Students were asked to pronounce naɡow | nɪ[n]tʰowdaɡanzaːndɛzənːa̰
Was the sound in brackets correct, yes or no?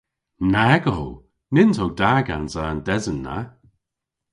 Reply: yes